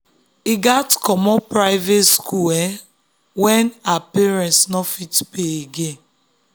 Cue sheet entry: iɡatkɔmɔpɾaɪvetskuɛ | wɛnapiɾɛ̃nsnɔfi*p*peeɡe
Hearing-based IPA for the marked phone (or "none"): t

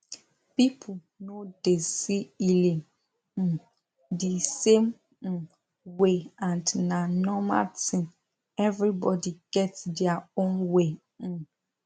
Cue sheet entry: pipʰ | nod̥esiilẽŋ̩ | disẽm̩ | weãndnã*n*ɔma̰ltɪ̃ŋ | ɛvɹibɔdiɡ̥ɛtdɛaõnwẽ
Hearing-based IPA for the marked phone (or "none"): n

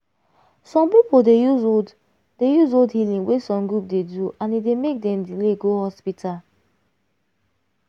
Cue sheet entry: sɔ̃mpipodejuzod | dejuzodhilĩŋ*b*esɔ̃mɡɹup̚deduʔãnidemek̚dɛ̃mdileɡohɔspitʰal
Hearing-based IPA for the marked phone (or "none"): w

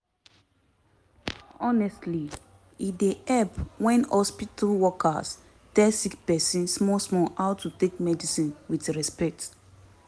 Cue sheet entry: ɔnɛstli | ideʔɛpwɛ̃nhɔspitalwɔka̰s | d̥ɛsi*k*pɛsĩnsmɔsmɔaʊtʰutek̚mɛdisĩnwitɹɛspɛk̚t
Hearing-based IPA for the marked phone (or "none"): k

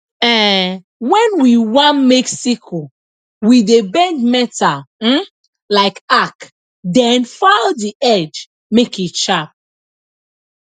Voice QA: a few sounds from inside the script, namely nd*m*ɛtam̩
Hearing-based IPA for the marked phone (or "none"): m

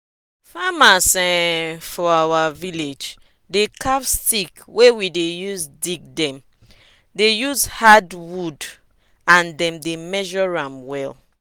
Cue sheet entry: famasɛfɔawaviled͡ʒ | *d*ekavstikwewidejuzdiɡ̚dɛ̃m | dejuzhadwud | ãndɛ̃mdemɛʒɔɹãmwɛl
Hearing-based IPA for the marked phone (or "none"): d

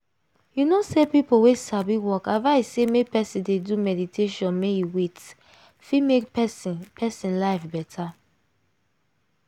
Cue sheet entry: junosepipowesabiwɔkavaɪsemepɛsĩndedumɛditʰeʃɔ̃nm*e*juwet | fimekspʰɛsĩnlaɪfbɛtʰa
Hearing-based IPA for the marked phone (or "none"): e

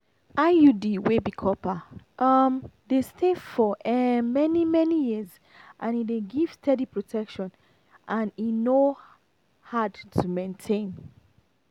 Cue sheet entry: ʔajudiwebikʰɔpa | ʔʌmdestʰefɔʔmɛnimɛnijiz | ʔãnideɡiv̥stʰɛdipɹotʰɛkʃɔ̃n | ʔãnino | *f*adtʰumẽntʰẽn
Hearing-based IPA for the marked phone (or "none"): h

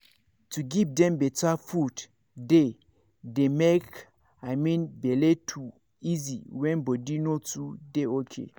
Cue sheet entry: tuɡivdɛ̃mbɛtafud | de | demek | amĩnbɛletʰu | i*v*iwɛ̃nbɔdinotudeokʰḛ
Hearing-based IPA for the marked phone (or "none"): z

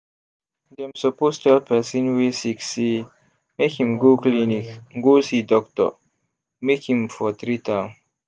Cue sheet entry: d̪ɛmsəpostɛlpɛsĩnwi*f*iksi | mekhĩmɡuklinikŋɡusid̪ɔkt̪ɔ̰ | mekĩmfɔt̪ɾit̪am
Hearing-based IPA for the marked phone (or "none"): s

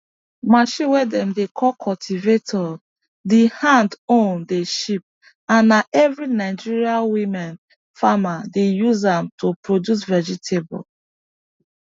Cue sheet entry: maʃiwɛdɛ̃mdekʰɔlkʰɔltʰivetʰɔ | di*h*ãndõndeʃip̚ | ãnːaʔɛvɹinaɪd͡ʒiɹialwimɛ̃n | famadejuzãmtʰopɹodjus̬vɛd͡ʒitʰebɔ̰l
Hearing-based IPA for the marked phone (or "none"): h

